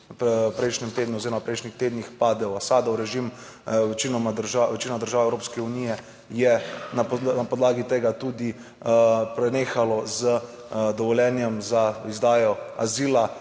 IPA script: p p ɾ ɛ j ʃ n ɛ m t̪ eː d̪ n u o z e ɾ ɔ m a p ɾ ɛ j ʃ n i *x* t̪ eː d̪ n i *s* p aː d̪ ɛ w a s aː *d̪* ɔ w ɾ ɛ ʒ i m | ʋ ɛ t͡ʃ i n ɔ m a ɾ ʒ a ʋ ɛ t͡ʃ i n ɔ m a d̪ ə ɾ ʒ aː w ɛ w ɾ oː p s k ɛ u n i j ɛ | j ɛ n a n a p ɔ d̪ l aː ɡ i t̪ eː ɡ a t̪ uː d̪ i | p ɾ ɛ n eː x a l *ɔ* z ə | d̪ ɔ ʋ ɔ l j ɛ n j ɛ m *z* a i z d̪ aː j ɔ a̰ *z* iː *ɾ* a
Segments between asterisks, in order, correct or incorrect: correct, incorrect, correct, correct, correct, correct, incorrect

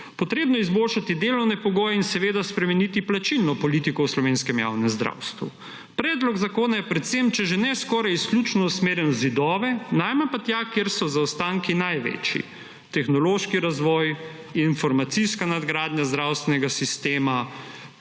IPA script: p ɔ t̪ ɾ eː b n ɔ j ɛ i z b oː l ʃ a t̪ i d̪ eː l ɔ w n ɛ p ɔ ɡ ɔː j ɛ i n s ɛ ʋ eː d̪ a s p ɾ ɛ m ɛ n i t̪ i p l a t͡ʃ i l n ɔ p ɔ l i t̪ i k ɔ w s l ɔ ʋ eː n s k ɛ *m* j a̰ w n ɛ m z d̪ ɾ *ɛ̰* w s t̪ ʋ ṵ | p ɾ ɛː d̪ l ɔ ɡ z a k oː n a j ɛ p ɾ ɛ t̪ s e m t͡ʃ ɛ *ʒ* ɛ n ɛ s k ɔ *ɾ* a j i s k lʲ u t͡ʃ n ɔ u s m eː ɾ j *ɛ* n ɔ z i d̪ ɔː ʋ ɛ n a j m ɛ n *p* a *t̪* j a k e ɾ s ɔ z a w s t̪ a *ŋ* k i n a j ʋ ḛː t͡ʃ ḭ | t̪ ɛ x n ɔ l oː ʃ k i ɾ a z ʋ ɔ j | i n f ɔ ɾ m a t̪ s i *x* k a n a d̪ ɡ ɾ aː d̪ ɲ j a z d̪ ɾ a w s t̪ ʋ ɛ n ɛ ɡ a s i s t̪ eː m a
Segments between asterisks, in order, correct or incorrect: correct, incorrect, correct, correct, correct, correct, correct, correct, incorrect

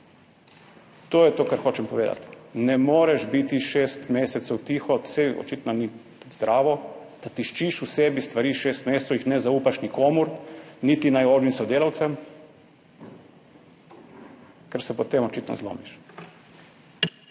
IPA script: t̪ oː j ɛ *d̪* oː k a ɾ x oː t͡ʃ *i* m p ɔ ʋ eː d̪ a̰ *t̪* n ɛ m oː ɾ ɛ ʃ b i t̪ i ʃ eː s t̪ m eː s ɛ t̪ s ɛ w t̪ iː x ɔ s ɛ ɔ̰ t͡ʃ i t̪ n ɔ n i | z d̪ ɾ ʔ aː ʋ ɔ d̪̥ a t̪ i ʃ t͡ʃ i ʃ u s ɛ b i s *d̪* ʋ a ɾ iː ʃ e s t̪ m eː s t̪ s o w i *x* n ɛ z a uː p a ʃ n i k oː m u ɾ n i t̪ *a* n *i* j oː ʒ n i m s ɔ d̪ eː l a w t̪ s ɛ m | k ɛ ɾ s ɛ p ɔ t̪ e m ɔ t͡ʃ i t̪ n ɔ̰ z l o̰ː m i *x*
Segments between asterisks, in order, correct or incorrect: incorrect, incorrect, correct, incorrect, correct, incorrect, incorrect, incorrect

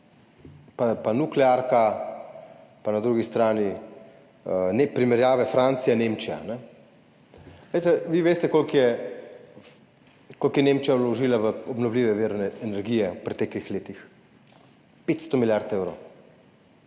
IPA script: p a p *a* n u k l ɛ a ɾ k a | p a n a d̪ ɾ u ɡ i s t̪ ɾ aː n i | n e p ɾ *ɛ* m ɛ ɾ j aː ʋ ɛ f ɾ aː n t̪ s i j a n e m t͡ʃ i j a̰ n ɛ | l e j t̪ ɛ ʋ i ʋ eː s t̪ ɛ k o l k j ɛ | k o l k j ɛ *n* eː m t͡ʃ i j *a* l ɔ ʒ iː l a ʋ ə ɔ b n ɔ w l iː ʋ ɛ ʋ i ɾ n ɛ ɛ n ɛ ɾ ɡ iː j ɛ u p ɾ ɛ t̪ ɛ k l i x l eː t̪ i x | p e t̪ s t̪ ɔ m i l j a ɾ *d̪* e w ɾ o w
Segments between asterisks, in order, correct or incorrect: correct, incorrect, correct, correct, incorrect

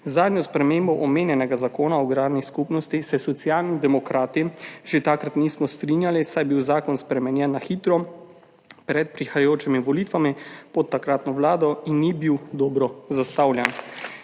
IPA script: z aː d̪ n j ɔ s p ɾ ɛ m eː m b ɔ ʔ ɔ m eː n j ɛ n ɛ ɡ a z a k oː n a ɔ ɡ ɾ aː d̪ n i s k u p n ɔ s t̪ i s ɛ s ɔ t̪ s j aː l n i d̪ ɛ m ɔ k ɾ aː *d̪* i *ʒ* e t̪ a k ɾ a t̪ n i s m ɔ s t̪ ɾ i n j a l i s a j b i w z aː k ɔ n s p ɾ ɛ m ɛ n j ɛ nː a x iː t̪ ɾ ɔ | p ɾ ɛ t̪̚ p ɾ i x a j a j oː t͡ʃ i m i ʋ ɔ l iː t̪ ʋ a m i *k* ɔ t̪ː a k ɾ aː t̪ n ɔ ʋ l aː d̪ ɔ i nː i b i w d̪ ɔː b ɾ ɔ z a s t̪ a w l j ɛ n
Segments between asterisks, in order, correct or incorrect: incorrect, correct, incorrect

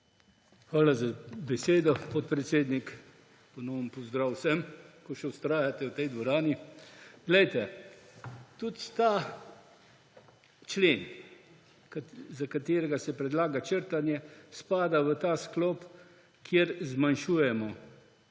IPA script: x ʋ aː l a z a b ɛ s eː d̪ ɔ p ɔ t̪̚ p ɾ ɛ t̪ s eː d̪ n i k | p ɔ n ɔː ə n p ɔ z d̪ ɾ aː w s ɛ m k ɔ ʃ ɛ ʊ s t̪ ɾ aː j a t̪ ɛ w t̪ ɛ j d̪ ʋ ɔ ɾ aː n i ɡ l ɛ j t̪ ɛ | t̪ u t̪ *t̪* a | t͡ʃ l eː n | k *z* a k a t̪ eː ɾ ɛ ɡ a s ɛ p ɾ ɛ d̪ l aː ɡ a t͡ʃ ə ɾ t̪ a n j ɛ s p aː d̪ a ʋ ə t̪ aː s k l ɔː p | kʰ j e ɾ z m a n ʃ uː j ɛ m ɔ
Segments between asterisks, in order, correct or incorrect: correct, correct

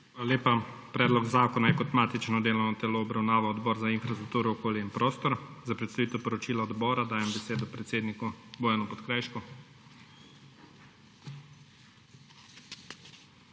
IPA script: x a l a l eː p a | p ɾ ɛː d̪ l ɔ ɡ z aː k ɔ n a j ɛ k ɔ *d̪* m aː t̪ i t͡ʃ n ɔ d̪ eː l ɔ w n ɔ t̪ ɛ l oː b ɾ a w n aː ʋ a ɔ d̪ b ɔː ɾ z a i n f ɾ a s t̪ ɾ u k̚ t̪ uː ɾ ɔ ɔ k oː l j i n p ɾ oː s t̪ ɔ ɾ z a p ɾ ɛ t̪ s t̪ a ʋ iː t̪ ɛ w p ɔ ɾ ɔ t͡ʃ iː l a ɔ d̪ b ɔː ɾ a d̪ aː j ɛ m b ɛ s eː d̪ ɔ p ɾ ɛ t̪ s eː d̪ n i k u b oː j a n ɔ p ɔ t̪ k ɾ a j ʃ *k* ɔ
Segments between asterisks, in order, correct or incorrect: incorrect, correct

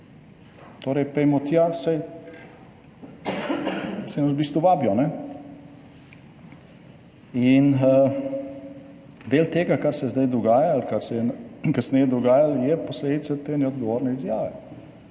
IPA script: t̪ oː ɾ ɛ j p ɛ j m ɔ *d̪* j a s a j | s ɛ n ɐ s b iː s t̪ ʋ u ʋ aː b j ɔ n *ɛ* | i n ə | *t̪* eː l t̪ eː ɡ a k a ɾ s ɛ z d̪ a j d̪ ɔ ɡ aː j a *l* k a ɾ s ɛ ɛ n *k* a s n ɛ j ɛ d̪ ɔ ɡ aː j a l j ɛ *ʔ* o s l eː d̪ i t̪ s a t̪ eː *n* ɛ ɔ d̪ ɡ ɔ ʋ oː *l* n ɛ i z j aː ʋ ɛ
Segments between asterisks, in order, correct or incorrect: incorrect, correct, incorrect, correct, correct, incorrect, correct, incorrect

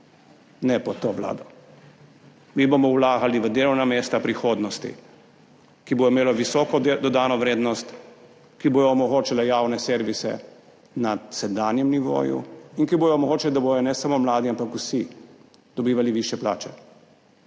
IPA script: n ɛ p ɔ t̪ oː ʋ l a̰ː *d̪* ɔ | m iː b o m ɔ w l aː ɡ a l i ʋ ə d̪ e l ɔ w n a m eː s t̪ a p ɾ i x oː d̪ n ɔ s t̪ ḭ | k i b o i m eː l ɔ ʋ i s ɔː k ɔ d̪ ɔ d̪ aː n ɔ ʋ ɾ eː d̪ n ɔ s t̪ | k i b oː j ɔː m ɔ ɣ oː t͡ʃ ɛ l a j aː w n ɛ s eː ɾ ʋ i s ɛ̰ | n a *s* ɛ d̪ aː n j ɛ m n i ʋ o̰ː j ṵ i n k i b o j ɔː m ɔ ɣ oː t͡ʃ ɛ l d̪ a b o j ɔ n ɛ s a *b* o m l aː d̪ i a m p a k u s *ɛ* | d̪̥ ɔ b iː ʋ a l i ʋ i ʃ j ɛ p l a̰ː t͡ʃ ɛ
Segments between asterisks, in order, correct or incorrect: correct, correct, incorrect, incorrect

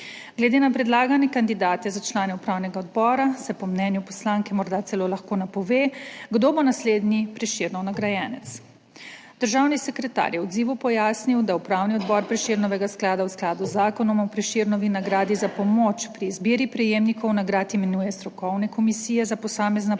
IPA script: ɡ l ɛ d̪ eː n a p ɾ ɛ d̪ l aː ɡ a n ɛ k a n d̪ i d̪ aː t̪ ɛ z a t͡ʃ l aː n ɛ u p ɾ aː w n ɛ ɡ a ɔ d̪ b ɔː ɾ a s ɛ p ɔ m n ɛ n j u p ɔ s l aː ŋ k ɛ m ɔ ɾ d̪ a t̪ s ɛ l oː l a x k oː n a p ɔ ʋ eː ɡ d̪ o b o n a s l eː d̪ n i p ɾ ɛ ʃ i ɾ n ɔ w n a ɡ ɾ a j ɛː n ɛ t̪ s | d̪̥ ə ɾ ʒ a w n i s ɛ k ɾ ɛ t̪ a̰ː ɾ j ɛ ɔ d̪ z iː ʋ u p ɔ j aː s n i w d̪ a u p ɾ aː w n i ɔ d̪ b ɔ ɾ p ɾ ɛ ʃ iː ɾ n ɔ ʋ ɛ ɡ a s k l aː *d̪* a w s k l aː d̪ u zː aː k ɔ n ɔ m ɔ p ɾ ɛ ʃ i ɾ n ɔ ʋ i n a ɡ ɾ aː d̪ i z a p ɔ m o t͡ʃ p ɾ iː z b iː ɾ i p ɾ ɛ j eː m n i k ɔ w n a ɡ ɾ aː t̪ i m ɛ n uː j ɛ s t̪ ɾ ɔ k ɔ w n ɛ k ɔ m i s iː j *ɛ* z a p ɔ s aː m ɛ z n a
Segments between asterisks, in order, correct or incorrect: correct, correct

